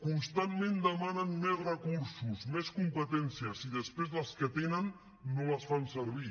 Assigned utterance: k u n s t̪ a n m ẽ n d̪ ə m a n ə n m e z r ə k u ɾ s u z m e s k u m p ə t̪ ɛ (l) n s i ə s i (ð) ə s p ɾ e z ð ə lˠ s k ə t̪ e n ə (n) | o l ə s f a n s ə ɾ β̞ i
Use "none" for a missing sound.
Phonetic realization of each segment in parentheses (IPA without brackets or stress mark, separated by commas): none, ð, nː